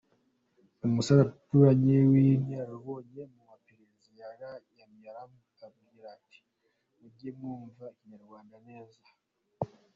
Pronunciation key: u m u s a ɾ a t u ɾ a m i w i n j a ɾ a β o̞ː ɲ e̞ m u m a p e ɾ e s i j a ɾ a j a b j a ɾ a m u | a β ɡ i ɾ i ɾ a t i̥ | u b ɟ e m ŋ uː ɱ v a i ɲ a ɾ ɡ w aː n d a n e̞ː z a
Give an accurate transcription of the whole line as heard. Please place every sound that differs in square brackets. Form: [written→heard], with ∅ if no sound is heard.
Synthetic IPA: u m u s a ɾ a t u ɾ a [m→ɲ] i w i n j a ɾ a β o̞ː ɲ e̞ m u m a p e ɾ e [s→z] i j a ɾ a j a [b→m] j a ɾ a m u | a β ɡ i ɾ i ɾ a t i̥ | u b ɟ e m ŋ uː ɱ v a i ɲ a ɾ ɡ w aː n d a n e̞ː z a